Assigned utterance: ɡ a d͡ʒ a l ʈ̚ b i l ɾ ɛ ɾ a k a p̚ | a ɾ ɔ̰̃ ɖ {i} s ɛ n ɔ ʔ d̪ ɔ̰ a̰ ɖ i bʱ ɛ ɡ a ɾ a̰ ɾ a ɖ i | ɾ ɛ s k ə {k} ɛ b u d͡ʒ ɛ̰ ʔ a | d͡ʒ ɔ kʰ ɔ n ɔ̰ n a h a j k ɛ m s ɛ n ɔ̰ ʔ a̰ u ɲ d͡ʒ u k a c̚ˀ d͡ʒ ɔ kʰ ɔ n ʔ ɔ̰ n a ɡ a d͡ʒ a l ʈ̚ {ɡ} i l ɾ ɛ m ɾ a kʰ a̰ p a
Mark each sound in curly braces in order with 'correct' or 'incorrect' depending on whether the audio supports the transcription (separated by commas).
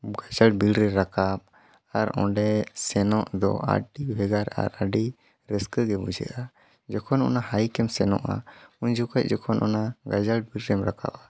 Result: incorrect, incorrect, incorrect